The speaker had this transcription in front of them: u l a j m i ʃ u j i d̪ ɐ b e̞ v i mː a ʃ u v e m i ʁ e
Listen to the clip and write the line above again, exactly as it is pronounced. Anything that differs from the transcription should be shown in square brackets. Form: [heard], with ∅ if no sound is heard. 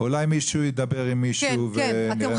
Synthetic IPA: u l a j m i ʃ u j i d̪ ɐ b e̞ [ʁ] i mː [i] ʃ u v e [n] i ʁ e